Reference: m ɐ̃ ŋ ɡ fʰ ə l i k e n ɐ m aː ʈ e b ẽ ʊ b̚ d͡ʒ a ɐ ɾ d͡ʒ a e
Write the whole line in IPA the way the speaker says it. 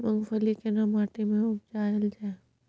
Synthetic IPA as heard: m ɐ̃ ŋ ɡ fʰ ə l i k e n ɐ m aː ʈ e m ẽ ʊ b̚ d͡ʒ a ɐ l d͡ʒ a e